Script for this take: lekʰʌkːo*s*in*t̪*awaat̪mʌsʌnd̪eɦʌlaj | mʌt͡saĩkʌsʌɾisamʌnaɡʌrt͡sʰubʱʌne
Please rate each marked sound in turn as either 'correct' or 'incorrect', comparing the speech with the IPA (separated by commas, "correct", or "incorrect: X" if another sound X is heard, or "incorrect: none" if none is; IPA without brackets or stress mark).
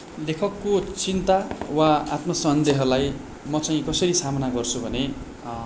incorrect: t͡s, correct